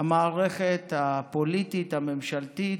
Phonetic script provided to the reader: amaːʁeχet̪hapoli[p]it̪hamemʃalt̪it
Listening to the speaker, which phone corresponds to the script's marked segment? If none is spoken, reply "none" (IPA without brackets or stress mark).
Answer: t